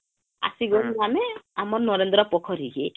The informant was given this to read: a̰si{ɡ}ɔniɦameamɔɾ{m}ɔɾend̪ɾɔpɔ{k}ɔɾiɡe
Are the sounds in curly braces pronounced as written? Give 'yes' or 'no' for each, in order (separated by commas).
yes, no, no